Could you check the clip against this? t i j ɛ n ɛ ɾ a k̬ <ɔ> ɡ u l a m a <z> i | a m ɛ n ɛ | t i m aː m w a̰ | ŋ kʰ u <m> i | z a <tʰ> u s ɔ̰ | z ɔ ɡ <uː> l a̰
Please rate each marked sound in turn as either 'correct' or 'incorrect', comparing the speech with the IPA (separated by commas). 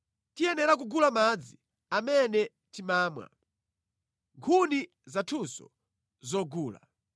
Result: incorrect, incorrect, incorrect, correct, correct